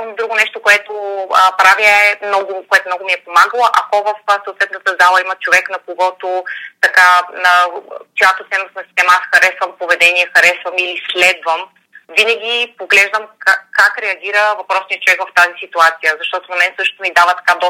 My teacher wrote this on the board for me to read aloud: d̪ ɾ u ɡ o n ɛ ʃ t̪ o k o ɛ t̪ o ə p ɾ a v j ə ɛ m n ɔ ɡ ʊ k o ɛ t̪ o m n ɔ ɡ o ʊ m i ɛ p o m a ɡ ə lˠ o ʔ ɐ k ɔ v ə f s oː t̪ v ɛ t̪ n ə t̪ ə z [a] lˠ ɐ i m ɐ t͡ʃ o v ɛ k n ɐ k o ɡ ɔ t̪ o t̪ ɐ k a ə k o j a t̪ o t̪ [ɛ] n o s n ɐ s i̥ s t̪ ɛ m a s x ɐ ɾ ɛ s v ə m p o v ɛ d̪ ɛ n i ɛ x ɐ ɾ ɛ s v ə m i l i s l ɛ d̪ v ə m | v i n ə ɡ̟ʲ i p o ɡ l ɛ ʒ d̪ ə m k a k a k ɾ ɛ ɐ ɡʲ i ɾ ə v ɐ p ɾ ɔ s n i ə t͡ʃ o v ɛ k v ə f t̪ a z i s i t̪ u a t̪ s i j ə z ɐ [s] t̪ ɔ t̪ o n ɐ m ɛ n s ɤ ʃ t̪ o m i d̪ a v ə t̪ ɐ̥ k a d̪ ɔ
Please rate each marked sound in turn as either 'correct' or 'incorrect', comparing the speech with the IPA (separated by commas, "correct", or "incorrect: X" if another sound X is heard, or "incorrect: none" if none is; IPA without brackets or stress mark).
correct, correct, incorrect: ʃ